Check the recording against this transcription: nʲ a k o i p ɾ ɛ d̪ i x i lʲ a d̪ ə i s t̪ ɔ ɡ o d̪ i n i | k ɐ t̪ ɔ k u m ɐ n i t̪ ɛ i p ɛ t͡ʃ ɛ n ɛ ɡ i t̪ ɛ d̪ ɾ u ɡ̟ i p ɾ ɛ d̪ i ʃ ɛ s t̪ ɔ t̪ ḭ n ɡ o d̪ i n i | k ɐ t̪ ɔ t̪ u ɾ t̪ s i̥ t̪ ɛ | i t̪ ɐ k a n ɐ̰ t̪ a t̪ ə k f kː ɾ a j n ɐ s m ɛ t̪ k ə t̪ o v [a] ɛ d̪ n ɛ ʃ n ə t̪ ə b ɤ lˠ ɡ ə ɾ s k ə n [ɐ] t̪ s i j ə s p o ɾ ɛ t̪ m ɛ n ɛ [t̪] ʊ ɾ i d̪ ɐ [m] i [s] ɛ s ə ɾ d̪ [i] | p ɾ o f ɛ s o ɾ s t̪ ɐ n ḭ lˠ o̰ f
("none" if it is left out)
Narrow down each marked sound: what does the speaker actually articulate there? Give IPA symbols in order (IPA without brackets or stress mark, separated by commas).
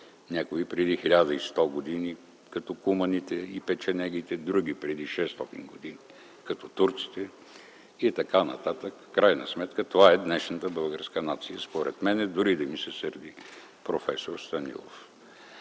a, a, d̪, m, s, i